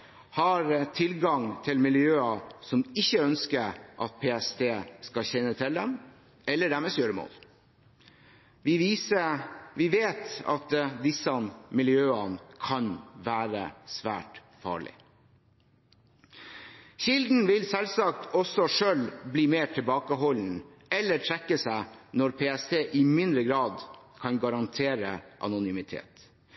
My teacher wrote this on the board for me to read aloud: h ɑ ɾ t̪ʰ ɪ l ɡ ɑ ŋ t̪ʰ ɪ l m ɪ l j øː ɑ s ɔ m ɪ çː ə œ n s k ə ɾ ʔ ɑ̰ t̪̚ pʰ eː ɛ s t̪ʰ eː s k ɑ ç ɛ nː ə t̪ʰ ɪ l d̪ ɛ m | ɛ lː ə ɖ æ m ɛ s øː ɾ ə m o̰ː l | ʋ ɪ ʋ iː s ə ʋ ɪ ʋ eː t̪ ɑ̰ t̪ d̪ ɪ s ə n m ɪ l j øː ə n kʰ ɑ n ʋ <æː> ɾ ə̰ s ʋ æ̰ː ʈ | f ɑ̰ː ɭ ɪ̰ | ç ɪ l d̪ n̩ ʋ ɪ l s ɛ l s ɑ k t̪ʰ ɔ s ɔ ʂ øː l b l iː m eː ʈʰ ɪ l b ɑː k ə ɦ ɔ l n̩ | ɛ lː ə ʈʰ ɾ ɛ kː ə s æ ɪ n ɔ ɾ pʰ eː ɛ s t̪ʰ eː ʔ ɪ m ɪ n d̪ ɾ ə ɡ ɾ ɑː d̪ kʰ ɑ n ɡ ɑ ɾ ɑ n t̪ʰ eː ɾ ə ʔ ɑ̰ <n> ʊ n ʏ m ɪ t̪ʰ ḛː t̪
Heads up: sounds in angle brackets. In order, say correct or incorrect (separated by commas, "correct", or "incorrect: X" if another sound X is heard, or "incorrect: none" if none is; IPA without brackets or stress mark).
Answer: correct, correct